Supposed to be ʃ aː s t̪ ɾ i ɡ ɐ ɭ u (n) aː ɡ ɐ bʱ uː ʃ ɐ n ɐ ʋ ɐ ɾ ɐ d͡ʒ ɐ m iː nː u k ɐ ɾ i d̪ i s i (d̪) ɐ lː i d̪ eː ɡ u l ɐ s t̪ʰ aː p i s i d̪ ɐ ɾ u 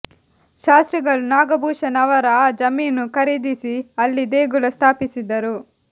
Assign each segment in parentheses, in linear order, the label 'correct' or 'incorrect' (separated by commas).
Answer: correct, incorrect